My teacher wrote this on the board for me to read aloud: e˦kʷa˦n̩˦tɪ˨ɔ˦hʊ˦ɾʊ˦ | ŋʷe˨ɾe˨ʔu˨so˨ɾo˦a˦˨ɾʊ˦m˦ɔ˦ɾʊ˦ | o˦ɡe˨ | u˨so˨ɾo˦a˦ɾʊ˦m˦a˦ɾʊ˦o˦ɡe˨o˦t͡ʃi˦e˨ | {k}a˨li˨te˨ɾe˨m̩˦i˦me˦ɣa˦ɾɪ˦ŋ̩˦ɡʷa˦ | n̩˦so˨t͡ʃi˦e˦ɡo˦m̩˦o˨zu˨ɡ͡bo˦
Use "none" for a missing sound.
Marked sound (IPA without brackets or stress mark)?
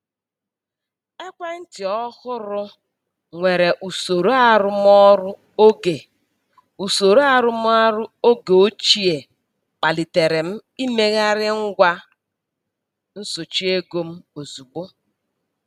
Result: k͡p